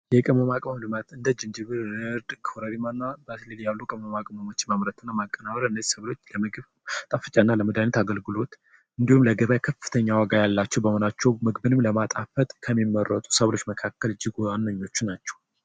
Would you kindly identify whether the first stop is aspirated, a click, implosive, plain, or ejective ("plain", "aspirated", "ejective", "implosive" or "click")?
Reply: ejective